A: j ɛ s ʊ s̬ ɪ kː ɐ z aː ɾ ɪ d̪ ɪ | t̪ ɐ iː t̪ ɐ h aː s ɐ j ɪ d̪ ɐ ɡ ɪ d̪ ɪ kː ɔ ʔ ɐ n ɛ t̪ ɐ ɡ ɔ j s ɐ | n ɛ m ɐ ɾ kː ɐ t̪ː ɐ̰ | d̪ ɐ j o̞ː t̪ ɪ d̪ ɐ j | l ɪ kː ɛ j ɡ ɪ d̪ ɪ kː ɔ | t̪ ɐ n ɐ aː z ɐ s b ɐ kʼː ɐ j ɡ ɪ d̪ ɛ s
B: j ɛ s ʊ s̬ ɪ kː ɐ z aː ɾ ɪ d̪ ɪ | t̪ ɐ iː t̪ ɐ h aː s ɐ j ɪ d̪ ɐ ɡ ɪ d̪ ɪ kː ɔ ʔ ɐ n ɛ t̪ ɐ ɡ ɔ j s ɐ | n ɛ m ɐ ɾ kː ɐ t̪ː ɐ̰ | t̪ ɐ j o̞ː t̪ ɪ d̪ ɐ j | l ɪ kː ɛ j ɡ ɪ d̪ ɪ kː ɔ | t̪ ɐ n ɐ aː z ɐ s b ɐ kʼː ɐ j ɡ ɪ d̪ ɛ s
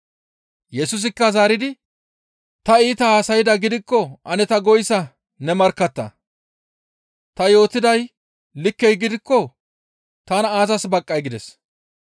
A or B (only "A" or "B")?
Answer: B